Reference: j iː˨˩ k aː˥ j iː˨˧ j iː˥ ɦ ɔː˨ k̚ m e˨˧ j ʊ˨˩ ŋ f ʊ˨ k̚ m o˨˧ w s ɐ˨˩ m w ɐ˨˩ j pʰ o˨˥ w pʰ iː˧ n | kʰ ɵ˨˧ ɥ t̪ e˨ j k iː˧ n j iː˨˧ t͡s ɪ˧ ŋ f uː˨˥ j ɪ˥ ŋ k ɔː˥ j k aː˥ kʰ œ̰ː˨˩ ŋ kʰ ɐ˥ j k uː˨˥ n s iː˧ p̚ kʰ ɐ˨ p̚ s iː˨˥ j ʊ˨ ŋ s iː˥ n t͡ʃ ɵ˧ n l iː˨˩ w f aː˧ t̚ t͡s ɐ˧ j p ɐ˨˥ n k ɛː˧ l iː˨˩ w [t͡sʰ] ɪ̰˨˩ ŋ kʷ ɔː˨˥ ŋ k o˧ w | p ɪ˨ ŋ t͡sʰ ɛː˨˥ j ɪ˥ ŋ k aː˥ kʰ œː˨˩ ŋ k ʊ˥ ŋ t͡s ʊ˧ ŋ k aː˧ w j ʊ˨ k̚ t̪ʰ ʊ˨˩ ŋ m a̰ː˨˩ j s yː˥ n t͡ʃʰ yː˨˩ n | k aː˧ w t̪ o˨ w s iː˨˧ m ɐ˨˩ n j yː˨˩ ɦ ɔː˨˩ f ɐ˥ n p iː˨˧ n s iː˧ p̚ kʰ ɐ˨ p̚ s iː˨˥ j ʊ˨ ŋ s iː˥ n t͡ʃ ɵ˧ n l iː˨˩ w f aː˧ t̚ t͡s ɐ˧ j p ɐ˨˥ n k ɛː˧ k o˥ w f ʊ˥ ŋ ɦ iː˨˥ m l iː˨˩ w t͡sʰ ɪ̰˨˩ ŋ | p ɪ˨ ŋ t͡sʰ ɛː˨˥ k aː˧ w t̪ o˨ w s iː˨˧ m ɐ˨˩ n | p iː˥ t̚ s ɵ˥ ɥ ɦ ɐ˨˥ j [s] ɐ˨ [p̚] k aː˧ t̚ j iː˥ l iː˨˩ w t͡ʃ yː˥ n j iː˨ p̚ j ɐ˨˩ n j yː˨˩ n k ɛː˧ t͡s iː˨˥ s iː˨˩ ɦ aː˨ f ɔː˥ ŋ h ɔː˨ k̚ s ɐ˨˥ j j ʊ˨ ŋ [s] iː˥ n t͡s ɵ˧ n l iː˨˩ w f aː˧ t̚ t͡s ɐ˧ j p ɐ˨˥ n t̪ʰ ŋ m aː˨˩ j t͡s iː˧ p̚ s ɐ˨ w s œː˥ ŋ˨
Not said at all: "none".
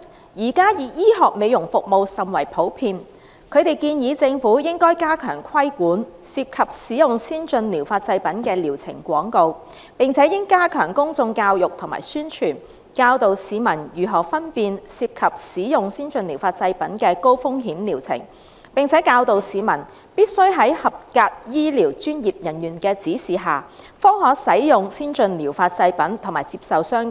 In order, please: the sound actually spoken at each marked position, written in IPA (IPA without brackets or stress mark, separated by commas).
t͡sʰ, h, p̚, s